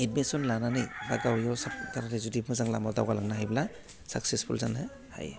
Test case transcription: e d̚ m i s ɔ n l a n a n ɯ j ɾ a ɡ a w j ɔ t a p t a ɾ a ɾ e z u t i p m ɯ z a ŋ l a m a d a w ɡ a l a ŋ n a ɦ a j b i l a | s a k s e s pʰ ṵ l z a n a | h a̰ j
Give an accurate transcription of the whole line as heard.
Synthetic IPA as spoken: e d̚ m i s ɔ n l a n a n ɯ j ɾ a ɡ a w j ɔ s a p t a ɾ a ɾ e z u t i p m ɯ z a ŋ l a m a d a w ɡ a l a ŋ n a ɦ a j b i l a | s a k s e s pʰ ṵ l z a n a | h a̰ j